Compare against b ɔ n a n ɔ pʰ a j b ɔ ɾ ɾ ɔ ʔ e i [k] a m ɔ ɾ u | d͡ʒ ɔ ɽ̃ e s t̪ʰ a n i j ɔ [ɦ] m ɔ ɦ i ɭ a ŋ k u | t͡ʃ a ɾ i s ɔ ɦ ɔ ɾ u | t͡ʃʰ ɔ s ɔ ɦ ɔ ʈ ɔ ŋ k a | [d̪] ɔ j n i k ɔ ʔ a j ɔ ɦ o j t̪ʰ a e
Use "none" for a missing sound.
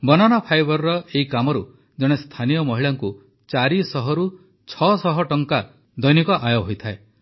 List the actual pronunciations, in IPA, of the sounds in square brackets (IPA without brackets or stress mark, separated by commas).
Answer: k, none, d̪